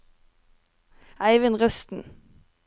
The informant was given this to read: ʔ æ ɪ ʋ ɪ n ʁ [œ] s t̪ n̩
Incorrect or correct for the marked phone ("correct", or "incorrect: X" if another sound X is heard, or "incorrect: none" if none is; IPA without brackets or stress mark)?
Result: correct